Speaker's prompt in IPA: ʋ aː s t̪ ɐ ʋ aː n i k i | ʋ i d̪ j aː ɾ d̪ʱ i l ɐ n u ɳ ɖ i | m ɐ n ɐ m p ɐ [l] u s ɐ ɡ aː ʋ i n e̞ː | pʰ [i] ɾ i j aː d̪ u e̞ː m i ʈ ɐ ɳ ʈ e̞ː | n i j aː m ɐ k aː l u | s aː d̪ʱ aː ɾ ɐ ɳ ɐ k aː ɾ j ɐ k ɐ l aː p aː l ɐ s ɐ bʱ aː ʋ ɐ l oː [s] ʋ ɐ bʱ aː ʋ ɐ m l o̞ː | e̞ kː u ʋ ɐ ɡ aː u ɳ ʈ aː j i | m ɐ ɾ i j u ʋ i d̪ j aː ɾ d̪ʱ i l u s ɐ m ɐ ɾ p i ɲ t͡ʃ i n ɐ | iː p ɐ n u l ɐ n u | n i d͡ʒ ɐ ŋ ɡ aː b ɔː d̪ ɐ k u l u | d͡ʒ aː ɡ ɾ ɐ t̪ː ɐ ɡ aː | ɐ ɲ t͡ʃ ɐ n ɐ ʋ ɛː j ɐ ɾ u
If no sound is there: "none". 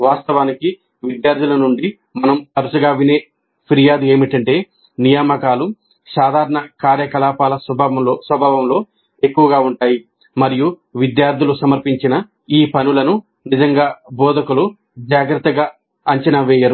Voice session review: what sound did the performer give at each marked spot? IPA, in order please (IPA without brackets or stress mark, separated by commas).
ɾ, i, s